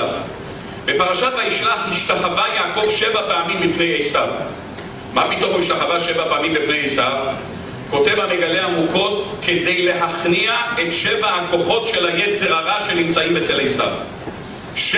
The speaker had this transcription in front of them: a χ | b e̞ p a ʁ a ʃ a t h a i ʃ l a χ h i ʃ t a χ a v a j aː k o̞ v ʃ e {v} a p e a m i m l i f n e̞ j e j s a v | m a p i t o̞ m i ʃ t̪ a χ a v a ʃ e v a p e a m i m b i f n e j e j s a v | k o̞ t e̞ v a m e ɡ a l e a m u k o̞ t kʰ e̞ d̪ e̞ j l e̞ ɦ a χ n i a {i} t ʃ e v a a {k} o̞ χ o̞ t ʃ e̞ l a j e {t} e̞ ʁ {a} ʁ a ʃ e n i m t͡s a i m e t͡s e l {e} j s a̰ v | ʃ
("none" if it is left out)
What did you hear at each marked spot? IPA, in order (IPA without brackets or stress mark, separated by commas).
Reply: v, e, k, t͡s, a, e